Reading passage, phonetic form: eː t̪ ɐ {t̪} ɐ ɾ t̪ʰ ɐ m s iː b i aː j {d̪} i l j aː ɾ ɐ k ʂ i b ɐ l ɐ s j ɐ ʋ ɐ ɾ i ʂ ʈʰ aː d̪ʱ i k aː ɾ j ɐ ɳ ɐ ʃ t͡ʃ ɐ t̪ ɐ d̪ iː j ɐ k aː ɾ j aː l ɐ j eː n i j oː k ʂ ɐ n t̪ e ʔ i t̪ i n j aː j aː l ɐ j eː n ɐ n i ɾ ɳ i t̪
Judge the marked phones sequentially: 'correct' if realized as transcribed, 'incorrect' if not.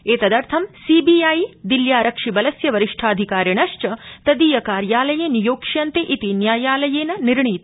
incorrect, correct

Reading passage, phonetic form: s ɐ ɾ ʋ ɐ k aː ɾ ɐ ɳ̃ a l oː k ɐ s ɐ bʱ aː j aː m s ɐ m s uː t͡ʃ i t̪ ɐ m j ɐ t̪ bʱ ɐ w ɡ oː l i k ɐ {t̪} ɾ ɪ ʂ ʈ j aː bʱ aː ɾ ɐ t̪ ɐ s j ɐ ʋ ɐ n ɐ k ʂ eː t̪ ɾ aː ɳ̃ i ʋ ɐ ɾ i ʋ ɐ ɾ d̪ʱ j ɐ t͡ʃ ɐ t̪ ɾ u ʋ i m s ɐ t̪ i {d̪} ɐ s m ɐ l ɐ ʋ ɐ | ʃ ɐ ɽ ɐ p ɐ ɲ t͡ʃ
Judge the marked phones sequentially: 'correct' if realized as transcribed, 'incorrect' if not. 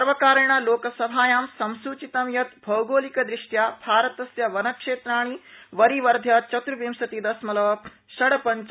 incorrect, correct

